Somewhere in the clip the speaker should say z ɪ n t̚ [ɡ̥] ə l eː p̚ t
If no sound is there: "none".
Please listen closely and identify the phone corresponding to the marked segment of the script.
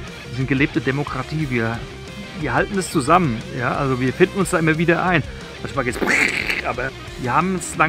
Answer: ɡ̥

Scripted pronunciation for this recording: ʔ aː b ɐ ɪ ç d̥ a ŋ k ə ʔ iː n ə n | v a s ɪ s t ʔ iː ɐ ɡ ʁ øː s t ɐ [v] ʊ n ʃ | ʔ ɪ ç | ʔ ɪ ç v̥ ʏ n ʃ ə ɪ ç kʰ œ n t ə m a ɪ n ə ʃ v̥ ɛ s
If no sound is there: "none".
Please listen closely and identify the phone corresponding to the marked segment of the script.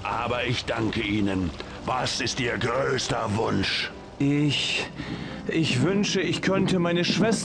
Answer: v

